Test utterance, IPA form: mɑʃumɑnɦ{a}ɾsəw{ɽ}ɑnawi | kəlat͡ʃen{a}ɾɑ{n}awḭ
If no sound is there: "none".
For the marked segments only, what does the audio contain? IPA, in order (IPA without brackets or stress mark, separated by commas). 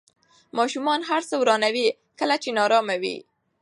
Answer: a, ɾ, ɑ, m